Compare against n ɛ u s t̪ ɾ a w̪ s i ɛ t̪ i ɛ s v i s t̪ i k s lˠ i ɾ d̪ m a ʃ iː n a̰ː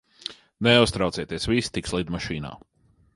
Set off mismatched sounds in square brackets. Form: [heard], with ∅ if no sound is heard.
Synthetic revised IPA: n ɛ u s t̪ ɾ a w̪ s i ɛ t̪ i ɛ s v i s t̪ i k s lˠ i [∅] d̪ m a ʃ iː n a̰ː